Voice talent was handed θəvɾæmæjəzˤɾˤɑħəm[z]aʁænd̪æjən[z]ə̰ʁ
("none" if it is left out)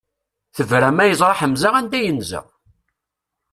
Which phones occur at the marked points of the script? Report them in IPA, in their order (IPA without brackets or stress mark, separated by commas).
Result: z, z